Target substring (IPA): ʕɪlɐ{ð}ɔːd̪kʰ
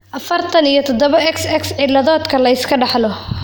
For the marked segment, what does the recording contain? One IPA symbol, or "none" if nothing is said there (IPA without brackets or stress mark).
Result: ð